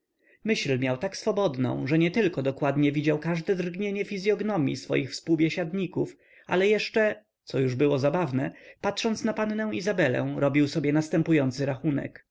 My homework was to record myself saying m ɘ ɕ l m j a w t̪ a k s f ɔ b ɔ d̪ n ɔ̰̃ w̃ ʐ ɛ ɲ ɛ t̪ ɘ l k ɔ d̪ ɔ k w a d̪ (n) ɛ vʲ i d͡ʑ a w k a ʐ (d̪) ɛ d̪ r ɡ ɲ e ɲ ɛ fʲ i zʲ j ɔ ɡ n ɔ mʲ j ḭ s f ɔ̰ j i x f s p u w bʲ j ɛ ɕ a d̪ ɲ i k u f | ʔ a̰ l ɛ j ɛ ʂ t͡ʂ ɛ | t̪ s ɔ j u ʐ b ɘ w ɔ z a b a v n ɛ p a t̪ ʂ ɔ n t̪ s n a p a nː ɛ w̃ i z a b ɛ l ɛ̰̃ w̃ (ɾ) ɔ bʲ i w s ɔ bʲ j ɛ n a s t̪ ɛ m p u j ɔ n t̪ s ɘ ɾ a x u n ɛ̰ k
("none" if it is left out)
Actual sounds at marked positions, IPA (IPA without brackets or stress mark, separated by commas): ɲ, d̪, ɾ